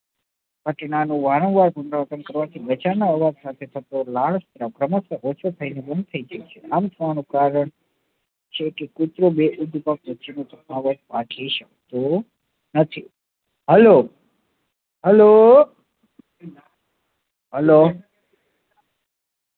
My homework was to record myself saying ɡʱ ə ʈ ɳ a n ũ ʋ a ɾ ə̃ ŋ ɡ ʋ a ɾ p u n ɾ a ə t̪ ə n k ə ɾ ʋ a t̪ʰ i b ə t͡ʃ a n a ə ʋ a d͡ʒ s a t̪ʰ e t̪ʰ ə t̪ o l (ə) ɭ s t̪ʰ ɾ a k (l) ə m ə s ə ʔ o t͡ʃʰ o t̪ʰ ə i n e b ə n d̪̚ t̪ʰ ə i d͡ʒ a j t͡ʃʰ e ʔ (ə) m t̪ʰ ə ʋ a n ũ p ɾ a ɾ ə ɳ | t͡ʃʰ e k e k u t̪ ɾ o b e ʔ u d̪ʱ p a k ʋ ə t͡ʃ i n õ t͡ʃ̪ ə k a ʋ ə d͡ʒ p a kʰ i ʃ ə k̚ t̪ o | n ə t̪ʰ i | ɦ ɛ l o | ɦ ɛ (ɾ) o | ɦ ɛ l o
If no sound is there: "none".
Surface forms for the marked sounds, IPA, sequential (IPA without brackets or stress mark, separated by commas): a, ɾ, a, l